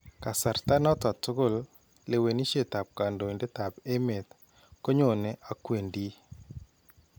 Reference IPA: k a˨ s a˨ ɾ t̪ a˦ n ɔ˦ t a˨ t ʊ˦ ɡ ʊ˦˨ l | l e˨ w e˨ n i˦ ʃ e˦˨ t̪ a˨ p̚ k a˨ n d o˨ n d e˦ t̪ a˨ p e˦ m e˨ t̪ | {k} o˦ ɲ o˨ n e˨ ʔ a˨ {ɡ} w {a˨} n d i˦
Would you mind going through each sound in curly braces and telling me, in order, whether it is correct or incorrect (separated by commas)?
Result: correct, incorrect, incorrect